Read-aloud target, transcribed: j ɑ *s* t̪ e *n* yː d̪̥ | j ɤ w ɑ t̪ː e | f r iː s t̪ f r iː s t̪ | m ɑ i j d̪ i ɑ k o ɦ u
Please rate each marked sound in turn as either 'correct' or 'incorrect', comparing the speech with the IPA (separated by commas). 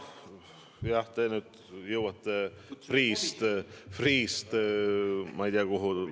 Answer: incorrect, correct